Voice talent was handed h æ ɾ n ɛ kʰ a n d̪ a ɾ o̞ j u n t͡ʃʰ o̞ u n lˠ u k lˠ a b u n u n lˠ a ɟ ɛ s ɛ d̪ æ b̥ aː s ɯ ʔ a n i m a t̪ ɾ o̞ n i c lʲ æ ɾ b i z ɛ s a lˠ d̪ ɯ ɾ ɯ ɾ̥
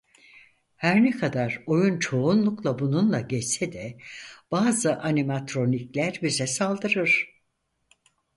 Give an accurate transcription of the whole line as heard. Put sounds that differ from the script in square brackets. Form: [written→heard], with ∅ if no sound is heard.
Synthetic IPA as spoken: h æ ɾ n ɛ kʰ a [n→∅] d̪ a ɾ o̞ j u n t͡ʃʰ o̞ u n lˠ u k lˠ a b u n u n lˠ a ɟ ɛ s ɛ d̪ [æ→ɛ] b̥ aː [s→z] ɯ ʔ a n i m a t̪ ɾ o̞ n i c lʲ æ ɾ b i z ɛ s a lˠ d̪ ɯ ɾ ɯ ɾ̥